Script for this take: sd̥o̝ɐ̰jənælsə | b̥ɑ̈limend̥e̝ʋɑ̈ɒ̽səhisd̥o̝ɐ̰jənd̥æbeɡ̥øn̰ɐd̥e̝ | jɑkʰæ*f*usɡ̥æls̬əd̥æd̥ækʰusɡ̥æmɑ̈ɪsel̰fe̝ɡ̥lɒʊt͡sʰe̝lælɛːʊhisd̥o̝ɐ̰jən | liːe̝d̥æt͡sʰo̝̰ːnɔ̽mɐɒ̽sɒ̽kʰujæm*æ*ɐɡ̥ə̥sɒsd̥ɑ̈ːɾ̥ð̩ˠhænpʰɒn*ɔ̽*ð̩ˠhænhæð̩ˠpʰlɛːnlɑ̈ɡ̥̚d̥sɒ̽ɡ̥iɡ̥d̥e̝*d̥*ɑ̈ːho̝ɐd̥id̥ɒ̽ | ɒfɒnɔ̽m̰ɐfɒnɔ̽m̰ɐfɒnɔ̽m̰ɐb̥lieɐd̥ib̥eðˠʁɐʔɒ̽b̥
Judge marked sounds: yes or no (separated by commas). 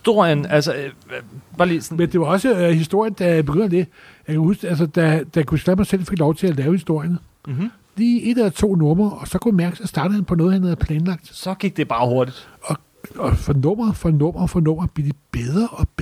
no, yes, no, no